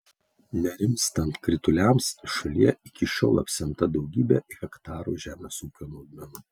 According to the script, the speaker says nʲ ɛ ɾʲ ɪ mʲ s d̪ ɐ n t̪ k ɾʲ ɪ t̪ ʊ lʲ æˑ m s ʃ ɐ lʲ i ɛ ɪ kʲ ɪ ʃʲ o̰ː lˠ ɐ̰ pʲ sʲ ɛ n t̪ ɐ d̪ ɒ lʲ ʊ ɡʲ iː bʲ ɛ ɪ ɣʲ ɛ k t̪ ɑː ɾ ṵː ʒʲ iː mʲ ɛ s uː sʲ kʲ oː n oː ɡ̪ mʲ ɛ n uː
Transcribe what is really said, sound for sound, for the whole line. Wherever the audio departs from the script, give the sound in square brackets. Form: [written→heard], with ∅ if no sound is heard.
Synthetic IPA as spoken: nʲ ɛ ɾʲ ɪ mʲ s [d̪→t̪] ɐ n t̪ k ɾʲ ɪ t̪ ʊ lʲ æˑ m s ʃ ɐ lʲ i ɛ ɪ kʲ ɪ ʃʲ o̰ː lˠ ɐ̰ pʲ sʲ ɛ n t̪ ɐ d̪ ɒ [lʲ→∅] ʊ ɡʲ iː bʲ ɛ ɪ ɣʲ ɛ k t̪ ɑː ɾ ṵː ʒʲ [iː→æː] mʲ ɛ s uː [sʲ→∅] kʲ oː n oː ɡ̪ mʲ ɛ n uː